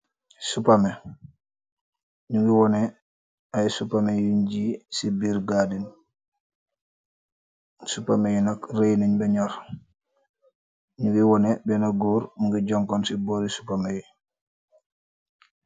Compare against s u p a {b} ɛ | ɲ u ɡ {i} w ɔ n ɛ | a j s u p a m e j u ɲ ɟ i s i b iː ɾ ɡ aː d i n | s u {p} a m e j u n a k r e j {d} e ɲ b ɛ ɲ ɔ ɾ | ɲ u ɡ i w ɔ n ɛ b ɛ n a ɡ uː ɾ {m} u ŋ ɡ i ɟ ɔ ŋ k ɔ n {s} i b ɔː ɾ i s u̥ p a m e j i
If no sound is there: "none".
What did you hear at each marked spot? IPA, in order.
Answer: m, i, p, n, m, s

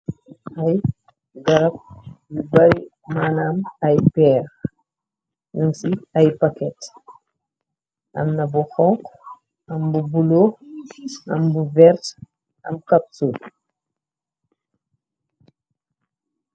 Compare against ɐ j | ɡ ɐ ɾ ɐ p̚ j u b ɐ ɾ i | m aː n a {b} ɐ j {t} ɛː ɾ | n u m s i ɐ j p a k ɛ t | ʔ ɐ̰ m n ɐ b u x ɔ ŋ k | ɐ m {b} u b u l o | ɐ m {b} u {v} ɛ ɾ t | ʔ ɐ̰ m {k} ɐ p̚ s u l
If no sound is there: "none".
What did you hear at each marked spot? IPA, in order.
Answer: m, p, b, b, v, k

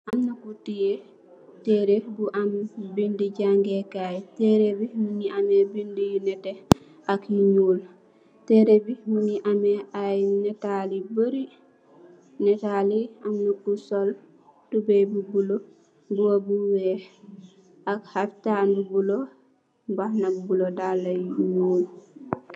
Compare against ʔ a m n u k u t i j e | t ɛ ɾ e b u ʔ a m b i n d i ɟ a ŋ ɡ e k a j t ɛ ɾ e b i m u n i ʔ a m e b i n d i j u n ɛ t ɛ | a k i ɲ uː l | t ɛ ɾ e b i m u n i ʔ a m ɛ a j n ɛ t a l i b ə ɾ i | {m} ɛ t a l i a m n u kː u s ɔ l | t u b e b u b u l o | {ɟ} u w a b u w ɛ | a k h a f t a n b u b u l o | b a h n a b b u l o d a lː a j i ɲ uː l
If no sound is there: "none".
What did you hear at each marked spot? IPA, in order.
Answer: n, b

